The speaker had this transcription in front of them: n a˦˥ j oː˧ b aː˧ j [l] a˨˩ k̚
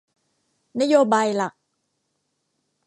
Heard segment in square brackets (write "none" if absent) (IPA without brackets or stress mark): l